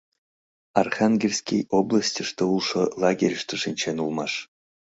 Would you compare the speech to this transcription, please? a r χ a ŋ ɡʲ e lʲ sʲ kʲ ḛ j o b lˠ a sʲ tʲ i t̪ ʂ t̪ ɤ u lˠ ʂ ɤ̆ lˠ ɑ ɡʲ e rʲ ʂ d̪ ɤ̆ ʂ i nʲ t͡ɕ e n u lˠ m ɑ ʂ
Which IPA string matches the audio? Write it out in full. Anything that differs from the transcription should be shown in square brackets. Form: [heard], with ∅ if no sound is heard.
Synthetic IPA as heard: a r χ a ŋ ɡʲ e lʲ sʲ kʲ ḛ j o b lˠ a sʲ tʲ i [∅] ʂ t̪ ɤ u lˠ ʂ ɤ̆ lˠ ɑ ɡʲ e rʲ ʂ [t̪] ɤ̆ ʂ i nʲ t͡ɕ e n u lˠ m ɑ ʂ